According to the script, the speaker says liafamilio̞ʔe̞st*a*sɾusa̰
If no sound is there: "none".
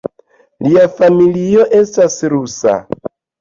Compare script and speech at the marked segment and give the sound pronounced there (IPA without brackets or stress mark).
a